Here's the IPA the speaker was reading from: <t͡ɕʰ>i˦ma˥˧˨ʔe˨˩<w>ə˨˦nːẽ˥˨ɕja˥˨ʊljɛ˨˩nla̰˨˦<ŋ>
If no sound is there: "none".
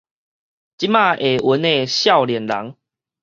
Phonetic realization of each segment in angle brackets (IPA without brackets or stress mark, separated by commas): t͡ɕ, w, ŋ